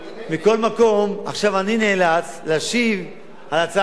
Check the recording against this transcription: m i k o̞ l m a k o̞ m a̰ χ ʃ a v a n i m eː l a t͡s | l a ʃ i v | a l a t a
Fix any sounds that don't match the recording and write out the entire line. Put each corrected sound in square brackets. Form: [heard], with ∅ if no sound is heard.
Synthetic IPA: m i k o̞ l m a k o̞ m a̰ χ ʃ a v a n i [n] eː l a t͡s | l a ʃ i v | a l a [t͡s] a